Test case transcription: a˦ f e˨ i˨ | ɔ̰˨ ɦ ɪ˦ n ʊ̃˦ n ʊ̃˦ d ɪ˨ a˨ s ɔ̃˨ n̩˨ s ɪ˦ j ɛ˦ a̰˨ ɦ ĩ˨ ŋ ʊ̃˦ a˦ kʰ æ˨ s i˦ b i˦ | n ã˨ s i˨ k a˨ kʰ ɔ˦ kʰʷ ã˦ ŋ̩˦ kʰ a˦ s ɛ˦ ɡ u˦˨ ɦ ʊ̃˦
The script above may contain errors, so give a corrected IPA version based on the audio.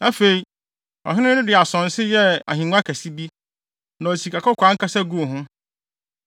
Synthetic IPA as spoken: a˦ f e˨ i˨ | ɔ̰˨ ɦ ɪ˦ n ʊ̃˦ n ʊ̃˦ d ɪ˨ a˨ s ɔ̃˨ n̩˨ s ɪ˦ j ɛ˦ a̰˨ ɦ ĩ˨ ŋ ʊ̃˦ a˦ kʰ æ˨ s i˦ b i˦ | n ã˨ s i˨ k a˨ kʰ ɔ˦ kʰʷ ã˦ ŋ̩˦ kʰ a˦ s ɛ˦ ɡ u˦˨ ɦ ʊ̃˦